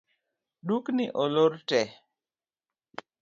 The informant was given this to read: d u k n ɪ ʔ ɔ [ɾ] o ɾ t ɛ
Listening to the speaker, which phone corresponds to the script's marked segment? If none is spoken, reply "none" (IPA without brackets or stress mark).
l